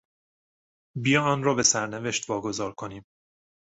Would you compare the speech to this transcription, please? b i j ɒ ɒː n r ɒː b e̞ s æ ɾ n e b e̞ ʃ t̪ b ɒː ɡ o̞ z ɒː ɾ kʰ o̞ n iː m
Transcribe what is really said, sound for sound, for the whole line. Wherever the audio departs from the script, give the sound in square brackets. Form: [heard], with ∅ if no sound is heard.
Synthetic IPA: b i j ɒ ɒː n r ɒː b e̞ s æ ɾ n e [v] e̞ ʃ t̪ [v] ɒː ɡ o̞ z ɒː ɾ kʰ o̞ n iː m